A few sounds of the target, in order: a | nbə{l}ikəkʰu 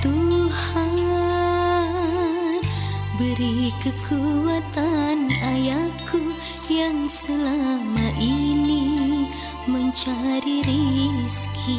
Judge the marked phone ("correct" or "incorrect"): incorrect